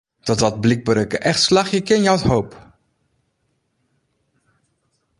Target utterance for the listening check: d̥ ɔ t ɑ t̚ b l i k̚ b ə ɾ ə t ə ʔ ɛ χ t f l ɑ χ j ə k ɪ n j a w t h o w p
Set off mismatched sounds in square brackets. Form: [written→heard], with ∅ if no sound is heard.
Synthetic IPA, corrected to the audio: d̥ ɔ t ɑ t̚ b l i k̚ b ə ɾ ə [t→k] ə ʔ ɛ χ t [f→s] l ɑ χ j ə k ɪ n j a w t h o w p

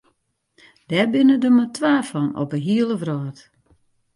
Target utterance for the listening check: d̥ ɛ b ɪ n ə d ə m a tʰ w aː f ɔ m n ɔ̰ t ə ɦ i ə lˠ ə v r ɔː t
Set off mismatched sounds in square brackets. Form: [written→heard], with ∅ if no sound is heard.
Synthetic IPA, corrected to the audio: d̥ ɛ b ɪ n ə d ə m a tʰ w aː f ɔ [m→∅] n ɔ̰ [t→p] ə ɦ i ə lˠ ə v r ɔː t

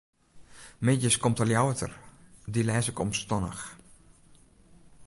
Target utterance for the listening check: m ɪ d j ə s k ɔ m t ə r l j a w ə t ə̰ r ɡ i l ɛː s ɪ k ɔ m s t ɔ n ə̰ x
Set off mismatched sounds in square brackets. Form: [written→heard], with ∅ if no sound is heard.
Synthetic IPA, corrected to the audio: m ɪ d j ə s k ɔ m t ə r l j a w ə t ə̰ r [ɡ→d] i l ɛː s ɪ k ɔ m s t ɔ n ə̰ x

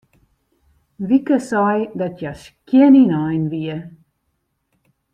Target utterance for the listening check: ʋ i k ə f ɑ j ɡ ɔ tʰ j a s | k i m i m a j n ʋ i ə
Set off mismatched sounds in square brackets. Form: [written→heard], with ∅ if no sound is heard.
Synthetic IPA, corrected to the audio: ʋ i k ə [f→s] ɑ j [ɡ→d] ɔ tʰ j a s | k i [m→n] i [m→n] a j n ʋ i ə

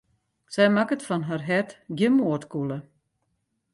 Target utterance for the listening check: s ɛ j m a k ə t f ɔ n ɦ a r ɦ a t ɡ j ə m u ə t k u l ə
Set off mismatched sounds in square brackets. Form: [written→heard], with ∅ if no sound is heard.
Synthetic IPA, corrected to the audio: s ɛ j m a k ə t f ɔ n ɦ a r ɦ [a→ɛ] t ɡ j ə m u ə t k u l ə

